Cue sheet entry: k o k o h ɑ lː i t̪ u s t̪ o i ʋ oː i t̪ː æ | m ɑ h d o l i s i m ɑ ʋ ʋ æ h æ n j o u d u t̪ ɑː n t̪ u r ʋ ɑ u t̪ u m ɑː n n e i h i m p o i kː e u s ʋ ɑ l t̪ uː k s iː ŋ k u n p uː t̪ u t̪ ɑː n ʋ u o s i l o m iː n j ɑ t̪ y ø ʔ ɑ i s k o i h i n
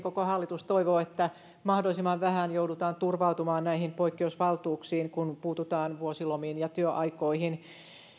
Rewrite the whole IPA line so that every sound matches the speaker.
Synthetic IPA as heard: k o k o h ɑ lː i t̪ u s t̪ o i ʋ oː e t̪ː æ | m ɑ h d o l i s i m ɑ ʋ ʋ æ h æ n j o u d u t̪ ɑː n t̪ u r ʋ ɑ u t̪ u m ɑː n n æ i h i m p o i kː e u s ʋ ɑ l t̪ uː k s iː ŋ k u n p uː t̪ u t̪ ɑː n ʋ u o s i l o m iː n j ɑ t̪ y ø ʔ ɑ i k o i h i n